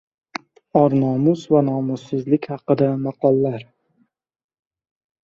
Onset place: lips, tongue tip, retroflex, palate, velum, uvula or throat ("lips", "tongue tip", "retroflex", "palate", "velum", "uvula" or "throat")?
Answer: tongue tip